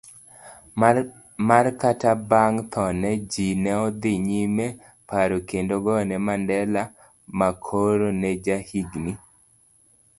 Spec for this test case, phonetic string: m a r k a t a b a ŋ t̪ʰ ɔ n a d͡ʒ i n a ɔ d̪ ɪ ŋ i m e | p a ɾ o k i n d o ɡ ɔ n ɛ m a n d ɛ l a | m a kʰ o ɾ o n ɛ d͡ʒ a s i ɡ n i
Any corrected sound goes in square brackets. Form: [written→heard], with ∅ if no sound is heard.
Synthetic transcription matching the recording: m a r k a t a b a ŋ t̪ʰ ɔ n [a→ɛ] d͡ʒ i n [a→ɛ] ɔ d̪ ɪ [ŋ→ɲ] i m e | p a ɾ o k [i→e] n d o ɡ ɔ n ɛ m a n d ɛ l a | m a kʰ o ɾ o n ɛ d͡ʒ a [s→h] i ɡ n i